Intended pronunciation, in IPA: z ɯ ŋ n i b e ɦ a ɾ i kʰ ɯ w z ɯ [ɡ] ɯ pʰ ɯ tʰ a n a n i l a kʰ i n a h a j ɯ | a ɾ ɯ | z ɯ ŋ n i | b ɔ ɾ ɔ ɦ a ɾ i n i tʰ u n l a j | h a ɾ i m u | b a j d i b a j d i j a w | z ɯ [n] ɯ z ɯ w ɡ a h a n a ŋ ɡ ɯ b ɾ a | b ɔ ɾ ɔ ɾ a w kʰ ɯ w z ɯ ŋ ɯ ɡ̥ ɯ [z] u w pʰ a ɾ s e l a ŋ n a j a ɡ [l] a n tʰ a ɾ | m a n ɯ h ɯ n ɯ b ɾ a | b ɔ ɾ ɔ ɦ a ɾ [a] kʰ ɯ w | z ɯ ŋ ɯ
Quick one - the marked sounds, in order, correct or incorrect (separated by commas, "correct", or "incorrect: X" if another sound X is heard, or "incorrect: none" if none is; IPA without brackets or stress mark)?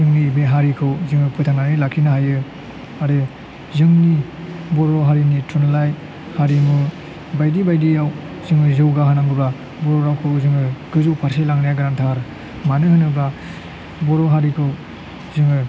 incorrect: ŋ, incorrect: ŋ, correct, incorrect: ɾ, incorrect: i